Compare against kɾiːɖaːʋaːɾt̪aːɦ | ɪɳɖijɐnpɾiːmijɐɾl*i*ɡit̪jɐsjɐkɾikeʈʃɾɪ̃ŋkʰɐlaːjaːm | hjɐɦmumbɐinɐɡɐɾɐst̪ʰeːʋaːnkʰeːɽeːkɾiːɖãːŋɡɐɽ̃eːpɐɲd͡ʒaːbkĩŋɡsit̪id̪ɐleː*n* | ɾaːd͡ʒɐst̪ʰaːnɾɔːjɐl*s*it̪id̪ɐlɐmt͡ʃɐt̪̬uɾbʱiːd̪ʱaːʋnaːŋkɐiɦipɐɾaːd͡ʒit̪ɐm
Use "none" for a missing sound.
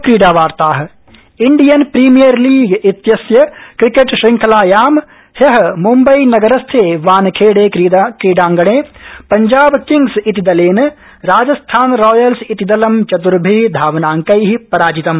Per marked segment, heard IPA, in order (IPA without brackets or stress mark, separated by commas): iː, n, s